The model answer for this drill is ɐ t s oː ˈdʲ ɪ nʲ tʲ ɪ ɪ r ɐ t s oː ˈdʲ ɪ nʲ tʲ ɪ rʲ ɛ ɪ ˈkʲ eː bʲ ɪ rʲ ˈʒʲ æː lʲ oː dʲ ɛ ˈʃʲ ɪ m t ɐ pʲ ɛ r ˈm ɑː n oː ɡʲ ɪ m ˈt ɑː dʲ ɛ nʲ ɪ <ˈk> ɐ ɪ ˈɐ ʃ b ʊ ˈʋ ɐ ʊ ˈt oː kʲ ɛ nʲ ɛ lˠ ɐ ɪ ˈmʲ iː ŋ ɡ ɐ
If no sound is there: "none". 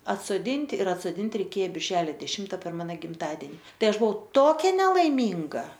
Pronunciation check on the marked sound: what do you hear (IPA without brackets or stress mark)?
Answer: t